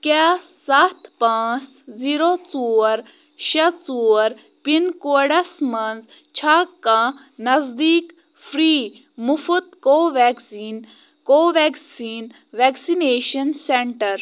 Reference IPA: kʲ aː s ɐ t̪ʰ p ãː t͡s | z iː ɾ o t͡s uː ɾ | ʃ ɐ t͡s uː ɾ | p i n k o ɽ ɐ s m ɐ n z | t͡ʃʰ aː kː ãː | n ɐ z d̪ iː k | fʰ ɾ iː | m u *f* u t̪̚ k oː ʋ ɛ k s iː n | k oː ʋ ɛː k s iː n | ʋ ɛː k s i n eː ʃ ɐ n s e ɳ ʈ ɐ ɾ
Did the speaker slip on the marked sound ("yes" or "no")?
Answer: no